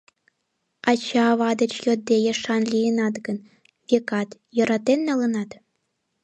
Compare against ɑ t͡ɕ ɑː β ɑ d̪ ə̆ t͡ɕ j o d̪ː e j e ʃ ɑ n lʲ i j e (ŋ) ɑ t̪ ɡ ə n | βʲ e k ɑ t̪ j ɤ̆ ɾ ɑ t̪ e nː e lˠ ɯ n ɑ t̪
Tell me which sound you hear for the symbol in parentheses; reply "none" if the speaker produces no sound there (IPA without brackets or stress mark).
n